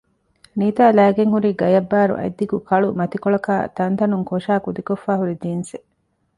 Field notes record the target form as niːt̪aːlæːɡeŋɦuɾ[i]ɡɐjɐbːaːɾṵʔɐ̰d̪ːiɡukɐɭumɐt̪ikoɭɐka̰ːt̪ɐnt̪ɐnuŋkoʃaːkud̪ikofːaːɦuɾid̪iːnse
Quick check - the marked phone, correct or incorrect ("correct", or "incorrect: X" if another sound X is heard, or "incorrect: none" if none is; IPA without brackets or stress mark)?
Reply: incorrect: iː